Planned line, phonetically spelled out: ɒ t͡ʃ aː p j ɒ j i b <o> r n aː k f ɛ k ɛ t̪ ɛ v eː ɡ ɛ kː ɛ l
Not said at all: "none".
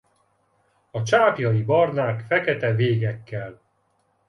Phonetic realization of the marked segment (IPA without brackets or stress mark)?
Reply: ɒ